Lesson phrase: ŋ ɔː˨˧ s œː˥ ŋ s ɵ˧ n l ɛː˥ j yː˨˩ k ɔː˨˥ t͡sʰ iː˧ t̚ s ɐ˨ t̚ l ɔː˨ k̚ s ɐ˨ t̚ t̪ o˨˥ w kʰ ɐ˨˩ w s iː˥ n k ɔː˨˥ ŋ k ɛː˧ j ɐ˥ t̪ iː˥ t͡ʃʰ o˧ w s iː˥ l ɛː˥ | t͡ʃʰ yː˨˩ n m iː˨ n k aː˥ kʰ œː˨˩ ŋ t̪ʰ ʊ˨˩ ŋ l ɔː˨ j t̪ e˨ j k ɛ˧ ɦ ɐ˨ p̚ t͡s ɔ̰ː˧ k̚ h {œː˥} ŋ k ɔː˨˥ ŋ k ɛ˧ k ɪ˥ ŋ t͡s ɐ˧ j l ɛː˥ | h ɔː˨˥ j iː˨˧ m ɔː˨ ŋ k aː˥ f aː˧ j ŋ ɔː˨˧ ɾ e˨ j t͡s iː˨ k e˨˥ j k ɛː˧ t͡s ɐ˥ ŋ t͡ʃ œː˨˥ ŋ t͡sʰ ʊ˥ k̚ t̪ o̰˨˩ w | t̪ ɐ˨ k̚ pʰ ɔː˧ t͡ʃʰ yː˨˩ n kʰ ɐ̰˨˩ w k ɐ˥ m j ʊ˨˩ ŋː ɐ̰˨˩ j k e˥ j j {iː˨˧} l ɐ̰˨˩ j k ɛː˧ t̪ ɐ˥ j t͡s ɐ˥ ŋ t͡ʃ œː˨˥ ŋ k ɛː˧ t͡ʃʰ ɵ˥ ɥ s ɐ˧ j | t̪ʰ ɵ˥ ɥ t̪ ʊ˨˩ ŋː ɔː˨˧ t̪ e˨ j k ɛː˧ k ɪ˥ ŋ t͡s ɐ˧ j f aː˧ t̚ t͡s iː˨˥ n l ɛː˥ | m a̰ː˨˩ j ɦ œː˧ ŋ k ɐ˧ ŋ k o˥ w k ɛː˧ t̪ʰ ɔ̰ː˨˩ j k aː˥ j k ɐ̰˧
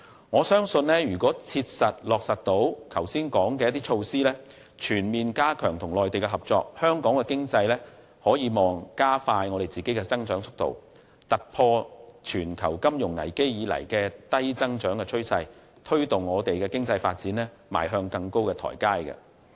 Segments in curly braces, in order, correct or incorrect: correct, correct

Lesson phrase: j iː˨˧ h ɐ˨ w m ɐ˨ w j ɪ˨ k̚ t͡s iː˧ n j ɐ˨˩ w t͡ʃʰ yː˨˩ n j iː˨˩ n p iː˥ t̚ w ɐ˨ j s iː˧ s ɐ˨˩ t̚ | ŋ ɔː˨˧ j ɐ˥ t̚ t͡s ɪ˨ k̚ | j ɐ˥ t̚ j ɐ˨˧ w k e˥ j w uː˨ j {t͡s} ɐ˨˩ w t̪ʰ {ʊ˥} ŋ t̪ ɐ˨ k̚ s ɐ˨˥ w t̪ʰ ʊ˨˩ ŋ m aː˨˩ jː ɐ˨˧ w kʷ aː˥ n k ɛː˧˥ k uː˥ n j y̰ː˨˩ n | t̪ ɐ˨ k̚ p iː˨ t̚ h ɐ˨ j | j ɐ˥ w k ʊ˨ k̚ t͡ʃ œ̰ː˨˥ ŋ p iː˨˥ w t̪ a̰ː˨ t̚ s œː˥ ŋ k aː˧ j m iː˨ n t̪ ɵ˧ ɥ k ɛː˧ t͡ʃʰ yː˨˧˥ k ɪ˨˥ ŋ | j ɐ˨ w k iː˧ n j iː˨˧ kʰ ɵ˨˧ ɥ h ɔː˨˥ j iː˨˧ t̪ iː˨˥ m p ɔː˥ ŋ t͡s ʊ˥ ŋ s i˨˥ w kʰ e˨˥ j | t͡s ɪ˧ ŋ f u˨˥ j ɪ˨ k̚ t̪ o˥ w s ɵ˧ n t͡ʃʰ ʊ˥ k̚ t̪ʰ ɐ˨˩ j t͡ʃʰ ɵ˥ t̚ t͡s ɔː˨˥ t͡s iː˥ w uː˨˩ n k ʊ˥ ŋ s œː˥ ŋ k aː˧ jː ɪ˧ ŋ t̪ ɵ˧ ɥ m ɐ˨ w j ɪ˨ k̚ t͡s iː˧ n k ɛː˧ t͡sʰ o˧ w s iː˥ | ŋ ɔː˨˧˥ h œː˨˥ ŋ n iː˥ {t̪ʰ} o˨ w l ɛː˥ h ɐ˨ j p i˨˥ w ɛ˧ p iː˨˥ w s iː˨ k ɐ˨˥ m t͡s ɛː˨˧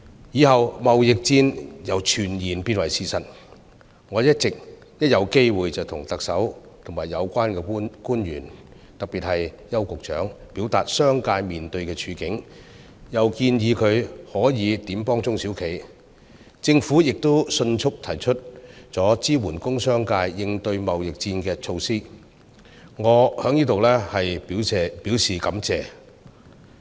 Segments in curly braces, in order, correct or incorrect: correct, incorrect: ʊ˨˩, incorrect: t̪

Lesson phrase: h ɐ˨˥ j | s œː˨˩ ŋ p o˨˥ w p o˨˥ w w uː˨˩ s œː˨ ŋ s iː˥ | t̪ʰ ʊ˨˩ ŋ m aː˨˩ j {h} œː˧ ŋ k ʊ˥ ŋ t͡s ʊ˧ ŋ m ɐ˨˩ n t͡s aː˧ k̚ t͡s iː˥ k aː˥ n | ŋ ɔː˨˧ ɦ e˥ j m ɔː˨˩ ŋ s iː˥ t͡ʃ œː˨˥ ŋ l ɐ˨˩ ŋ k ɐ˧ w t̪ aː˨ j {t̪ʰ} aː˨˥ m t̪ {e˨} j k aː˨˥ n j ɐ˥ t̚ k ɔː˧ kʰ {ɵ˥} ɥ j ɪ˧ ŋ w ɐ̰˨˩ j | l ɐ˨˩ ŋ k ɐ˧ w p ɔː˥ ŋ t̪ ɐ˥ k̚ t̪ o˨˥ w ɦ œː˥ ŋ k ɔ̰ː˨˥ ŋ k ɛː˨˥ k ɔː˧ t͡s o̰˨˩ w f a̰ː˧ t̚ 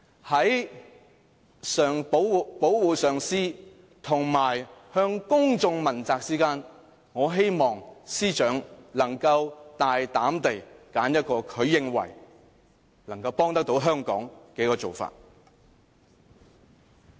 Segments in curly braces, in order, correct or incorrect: correct, incorrect: t̪, correct, incorrect: ɵ˨˧

